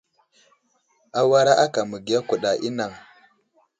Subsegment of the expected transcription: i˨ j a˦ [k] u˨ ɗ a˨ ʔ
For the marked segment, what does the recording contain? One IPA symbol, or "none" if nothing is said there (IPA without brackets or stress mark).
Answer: k